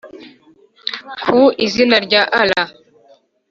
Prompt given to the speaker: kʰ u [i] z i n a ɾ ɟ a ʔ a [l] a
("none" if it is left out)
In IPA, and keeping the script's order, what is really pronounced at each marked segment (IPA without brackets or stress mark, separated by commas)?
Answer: i, l